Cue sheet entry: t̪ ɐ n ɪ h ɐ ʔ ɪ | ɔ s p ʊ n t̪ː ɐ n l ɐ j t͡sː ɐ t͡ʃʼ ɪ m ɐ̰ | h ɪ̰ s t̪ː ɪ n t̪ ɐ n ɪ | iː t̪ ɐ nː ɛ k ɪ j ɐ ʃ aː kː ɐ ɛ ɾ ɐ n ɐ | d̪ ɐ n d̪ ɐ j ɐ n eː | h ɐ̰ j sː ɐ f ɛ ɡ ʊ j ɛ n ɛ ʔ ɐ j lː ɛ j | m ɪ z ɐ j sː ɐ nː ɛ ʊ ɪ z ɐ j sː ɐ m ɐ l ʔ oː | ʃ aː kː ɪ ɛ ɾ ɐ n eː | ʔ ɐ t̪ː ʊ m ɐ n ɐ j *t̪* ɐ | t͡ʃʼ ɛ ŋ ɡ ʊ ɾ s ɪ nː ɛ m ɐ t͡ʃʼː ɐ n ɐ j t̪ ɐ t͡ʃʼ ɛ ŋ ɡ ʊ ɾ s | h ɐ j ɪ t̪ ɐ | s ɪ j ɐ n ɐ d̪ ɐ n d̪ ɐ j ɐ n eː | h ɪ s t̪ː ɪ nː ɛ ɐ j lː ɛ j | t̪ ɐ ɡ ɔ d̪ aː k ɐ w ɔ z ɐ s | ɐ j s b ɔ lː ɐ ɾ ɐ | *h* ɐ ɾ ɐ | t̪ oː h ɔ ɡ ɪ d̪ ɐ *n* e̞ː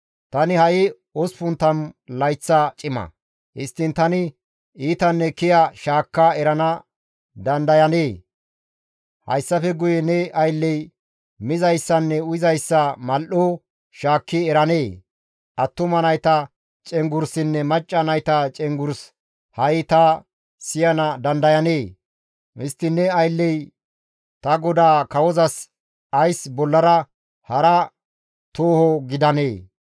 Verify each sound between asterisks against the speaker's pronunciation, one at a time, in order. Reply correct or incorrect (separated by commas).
correct, correct, correct